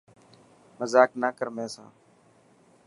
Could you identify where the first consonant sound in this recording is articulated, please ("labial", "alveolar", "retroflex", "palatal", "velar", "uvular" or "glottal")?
labial